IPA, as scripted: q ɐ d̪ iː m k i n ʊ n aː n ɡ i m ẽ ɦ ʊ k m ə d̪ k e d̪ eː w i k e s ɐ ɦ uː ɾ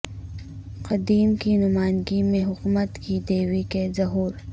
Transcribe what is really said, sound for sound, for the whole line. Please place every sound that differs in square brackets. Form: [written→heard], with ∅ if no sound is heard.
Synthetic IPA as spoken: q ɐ d̪ iː m k i n ʊ [n→m] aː n ɡ i m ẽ ɦ ʊ k m ə [d̪→t̪] k [e→i] d̪ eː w i k e [s→z] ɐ ɦ uː ɾ